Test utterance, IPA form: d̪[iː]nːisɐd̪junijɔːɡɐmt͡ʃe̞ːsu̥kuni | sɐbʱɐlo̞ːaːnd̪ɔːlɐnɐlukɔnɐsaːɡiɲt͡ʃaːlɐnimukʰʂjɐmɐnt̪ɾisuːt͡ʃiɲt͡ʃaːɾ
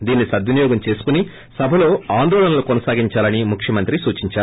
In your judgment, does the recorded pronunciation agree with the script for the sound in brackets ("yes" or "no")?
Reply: yes